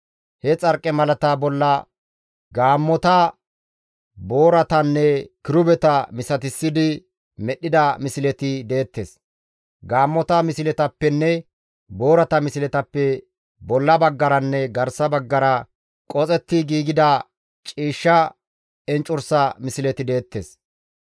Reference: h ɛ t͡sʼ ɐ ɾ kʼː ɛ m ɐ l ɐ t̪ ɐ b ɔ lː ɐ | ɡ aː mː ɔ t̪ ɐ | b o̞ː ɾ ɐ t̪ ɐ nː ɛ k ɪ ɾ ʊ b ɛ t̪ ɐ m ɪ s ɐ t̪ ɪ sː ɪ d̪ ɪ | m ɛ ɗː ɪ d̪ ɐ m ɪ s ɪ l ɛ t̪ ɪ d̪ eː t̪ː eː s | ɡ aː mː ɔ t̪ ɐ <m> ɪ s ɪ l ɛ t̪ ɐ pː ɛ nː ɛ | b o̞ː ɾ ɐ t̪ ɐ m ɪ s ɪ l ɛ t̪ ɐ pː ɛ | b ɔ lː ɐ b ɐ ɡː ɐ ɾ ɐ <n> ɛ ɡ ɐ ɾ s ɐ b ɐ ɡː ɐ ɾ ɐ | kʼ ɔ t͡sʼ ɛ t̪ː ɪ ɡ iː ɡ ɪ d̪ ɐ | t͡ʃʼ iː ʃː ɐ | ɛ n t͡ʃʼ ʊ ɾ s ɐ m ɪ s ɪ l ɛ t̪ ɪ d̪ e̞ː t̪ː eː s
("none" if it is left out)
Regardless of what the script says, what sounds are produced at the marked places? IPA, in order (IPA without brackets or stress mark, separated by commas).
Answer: m, nː